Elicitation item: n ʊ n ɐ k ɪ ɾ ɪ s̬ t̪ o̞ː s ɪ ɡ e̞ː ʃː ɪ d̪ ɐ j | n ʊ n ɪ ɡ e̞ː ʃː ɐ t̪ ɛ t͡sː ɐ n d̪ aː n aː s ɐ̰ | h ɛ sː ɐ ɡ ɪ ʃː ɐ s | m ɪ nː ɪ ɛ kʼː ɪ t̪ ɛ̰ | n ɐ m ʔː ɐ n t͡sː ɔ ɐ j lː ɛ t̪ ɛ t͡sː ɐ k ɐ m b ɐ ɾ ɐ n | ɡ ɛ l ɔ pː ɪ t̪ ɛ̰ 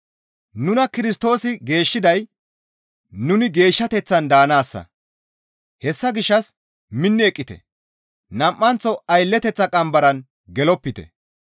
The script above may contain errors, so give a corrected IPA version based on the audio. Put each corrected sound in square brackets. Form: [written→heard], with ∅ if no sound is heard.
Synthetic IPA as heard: n ʊ n ɐ k ɪ ɾ ɪ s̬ t̪ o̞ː s ɪ ɡ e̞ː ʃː ɪ d̪ ɐ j | n ʊ n ɪ ɡ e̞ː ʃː ɐ t̪ ɛ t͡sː ɐ n d̪ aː n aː [s→sː] ɐ̰ | h ɛ sː ɐ ɡ ɪ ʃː ɐ s | m ɪ nː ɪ ɛ kʼː ɪ t̪ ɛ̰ | n ɐ m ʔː ɐ n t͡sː ɔ ɐ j lː ɛ t̪ ɛ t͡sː ɐ [k→kʼ] ɐ m b ɐ ɾ ɐ n | ɡ ɛ l ɔ pː ɪ t̪ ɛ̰